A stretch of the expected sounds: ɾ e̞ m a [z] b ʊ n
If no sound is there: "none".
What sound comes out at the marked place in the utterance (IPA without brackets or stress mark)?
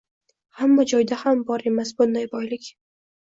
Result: s